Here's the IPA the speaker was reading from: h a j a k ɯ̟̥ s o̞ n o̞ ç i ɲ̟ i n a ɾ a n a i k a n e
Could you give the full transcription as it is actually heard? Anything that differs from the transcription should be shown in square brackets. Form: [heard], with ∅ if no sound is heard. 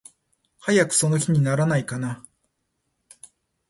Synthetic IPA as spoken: h a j a k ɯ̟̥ s o̞ n o̞ ç i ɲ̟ i n a ɾ a n a i k a n [a]